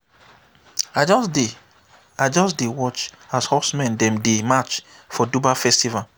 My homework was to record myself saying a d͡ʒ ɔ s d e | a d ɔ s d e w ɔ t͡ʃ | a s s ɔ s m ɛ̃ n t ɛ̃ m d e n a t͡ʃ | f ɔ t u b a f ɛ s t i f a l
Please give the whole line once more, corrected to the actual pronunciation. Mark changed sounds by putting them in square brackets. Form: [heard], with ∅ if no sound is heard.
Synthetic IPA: a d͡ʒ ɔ s d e | a [d͡ʒ] ɔ s d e w ɔ t͡ʃ | a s [h] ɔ s m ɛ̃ n [d] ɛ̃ m d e [m] a t͡ʃ | f ɔ [d] u b a f ɛ s t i [v] a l

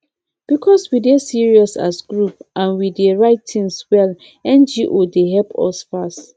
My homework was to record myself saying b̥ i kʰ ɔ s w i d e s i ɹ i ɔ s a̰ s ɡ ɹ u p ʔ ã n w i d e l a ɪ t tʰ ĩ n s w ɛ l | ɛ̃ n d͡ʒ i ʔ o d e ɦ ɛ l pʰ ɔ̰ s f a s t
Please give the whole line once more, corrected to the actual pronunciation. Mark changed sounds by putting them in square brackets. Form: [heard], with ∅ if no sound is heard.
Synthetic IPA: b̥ i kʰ ɔ s w i d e s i ɹ i ɔ s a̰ s ɡ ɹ u p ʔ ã n w i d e [ɹ] a ɪ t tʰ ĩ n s w ɛ l | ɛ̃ n d͡ʒ i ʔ o d e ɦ ɛ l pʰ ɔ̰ s f a s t

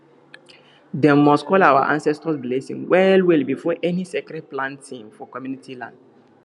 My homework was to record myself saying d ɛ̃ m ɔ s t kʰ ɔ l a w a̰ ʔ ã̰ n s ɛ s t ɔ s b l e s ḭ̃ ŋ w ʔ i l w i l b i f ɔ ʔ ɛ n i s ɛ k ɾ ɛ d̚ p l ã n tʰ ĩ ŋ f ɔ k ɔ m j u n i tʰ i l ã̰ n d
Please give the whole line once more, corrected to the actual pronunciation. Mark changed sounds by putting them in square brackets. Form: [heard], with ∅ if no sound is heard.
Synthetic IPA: d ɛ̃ m ɔ s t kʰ ɔ l a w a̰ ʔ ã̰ n s ɛ s t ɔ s b l e s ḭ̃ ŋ w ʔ [ɛ] l w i l b i f ɔ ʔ ɛ n i s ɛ k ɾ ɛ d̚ p l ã n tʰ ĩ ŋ f ɔ k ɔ m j u n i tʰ i l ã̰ n d

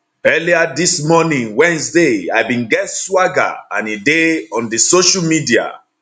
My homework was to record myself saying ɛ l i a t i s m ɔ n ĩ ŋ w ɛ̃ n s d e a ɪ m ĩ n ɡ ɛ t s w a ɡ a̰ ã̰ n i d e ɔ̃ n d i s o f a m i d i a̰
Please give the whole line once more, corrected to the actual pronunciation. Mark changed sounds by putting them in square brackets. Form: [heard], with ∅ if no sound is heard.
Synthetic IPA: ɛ l i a [d] i s m ɔ n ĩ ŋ w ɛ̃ n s d e a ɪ [b] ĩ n ɡ ɛ t s w a ɡ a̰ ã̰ n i d e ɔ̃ n d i s o [ʃ] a m i d i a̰

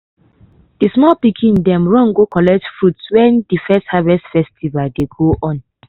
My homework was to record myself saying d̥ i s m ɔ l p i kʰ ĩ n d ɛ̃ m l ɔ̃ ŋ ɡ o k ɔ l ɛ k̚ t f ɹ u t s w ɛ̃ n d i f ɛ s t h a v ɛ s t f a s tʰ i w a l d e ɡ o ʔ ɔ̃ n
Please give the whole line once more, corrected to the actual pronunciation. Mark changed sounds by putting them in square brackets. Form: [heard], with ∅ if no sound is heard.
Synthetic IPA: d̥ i s m ɔ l p i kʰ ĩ n d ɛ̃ m [ɹ] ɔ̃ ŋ ɡ o k ɔ l ɛ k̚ t f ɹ u t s w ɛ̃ n d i f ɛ s t h a v ɛ s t f [ɛ] s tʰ i [v] a l d e ɡ o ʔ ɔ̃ n

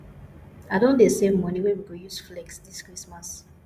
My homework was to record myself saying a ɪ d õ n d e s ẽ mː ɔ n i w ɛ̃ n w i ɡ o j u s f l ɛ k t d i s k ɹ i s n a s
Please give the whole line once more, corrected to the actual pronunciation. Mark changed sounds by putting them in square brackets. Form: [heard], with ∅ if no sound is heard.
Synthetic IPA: a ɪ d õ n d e s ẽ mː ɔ n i w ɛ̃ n w i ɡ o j u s f l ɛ k [s] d i s k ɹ i s [m] a s

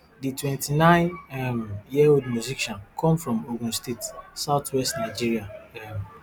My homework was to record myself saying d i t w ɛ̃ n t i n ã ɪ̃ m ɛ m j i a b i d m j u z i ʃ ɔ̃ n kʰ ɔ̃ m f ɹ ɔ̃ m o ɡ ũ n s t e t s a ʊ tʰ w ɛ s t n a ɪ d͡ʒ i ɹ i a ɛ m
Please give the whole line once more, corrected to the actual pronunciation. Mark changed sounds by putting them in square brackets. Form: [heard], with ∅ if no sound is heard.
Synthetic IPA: d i t w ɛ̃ n t i n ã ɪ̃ [n] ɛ m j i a [w] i d m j u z i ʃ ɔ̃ n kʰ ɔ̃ m f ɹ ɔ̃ m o ɡ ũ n s t e t s a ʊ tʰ w ɛ s t n a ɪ d͡ʒ i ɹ i a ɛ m

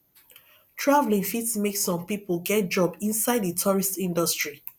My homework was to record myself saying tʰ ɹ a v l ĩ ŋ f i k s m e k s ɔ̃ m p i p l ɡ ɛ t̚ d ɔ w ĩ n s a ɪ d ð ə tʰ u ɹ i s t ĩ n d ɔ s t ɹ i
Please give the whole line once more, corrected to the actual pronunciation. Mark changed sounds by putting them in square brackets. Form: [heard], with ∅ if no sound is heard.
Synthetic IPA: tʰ ɹ a v l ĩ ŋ f i [t] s m e k s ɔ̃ m p i p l ɡ ɛ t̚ [d͡ʒ] ɔ [b] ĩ n s a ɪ d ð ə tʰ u ɹ i s t ĩ n d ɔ s t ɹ i

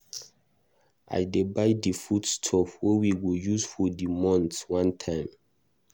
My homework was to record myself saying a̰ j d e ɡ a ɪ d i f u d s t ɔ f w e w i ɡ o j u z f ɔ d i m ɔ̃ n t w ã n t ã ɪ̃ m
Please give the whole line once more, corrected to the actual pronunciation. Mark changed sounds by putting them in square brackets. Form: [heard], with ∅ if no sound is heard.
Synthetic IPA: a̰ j d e [b] a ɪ d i f u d s [tʰ] ɔ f w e w i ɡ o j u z f ɔ d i m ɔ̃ n t w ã n [tʰ] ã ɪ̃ m

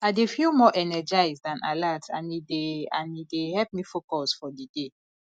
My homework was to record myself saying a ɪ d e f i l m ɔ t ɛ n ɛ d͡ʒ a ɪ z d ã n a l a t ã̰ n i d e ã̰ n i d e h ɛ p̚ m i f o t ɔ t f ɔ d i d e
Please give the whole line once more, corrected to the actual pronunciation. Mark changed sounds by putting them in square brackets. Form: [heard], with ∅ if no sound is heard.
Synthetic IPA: a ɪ d e f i l m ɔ [ʔ] ɛ n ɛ d͡ʒ a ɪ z d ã n a l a t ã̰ n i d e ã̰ n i d e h ɛ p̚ m i f o [k] ɔ [s] f ɔ d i d e

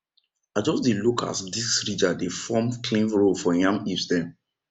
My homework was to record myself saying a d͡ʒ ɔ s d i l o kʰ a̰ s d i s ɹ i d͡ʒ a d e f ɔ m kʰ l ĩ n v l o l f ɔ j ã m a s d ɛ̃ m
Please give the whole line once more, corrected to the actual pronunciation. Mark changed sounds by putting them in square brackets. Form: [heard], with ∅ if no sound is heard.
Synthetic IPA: a d͡ʒ ɔ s d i l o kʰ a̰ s d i s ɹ i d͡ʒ a d e f ɔ m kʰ l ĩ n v [ɹ] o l f ɔ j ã m [i] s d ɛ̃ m

